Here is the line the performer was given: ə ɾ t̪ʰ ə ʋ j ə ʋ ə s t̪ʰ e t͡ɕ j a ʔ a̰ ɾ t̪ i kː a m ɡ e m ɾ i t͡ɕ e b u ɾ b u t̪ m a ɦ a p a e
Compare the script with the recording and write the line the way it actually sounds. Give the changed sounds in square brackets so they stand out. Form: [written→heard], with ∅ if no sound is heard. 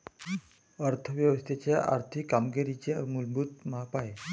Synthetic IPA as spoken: ə ɾ t̪ʰ ə ʋ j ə ʋ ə s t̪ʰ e t͡ɕ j a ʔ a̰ ɾ [t̪→t̪ʰ] i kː a m ɡ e [m→∅] ɾ i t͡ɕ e [b→m] u [ɾ→l] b u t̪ m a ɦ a p a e